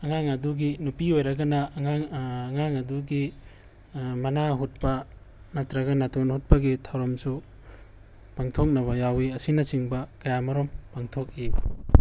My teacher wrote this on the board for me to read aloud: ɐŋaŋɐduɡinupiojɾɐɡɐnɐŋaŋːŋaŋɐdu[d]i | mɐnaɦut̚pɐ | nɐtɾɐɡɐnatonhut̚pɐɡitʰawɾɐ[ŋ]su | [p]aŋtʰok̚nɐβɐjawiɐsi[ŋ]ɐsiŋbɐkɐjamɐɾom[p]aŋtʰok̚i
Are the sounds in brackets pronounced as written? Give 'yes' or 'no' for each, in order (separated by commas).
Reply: no, no, yes, no, yes